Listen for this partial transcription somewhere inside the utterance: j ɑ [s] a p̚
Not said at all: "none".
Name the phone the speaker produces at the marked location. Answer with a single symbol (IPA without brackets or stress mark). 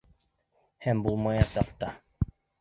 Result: s